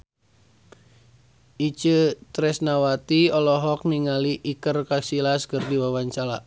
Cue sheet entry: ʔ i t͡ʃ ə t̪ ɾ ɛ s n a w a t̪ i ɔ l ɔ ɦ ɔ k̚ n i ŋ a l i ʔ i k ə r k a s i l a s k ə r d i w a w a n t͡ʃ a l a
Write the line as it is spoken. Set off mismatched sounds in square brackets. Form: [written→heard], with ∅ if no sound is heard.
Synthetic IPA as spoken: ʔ i t͡ʃ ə t̪ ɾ ɛ s n a w a t̪ i ɔ l ɔ ɦ ɔ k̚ n i ŋ a l i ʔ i k ə r k a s i l a s k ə r d i w a w a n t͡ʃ a l a